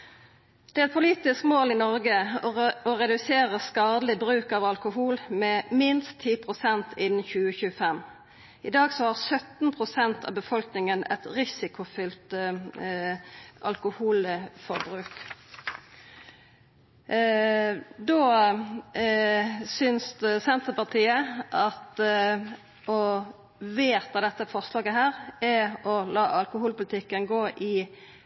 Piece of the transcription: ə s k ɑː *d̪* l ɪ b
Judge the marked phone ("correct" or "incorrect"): correct